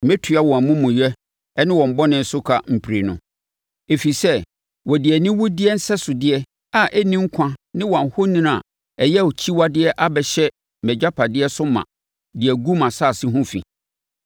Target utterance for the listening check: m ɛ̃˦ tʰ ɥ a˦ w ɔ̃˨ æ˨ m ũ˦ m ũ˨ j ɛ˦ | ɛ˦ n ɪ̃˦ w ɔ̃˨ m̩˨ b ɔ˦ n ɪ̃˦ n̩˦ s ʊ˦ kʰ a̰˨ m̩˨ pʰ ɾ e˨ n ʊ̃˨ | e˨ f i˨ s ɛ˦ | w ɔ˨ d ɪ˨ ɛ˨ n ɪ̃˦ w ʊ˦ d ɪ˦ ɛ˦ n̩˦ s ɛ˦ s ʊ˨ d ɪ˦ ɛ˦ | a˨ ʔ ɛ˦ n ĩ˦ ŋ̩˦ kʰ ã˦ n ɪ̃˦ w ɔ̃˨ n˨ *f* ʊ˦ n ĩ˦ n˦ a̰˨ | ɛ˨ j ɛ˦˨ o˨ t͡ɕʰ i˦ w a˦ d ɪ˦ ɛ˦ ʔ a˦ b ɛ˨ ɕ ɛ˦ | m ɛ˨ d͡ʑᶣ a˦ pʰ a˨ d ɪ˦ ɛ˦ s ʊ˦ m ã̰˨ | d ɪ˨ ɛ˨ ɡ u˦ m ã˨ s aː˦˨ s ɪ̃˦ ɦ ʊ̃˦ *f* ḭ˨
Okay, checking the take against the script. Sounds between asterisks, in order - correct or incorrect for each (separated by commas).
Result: incorrect, correct